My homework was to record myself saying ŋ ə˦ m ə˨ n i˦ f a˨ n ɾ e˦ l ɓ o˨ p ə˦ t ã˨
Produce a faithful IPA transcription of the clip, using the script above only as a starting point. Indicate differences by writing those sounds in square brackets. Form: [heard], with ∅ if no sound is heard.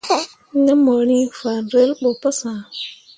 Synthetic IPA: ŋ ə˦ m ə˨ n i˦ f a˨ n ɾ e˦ l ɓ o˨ p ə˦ [s] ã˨